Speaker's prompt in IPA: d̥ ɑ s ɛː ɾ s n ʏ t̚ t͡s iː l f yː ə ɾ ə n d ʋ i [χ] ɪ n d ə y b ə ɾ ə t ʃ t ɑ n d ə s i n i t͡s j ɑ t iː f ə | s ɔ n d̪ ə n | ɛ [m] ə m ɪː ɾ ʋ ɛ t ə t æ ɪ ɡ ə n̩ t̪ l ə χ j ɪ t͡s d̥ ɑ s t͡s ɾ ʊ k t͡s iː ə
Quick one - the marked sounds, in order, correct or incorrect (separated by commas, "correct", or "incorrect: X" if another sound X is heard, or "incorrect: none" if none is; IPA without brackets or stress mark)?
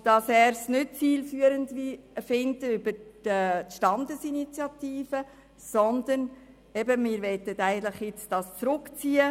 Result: incorrect: f, incorrect: b